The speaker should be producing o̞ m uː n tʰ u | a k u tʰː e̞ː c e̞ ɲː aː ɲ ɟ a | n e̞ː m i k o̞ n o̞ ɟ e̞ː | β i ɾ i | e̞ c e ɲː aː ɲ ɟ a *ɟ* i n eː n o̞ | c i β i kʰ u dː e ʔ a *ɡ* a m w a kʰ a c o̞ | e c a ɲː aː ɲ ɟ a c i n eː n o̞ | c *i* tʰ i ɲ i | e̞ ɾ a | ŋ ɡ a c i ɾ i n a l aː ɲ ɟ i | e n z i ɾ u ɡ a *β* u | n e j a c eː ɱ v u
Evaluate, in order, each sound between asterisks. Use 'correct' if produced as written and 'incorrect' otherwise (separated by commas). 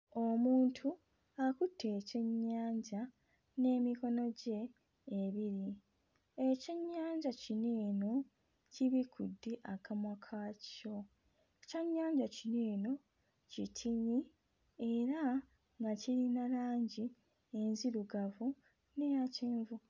incorrect, incorrect, correct, incorrect